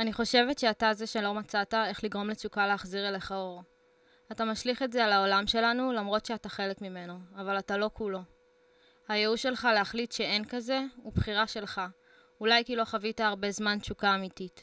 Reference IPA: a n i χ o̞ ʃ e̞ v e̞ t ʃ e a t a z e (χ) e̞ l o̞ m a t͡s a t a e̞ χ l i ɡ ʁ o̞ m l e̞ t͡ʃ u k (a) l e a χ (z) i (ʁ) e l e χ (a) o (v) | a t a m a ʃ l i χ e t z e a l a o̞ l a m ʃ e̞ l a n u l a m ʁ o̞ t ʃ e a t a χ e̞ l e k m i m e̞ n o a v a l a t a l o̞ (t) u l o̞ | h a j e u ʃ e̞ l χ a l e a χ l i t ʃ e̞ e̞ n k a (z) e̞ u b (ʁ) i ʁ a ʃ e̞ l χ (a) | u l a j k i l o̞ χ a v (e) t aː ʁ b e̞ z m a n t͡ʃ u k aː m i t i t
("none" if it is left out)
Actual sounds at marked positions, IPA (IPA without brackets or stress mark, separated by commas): ʃ, a, z, ʁ, a, ʁ, k, z, χ, a, i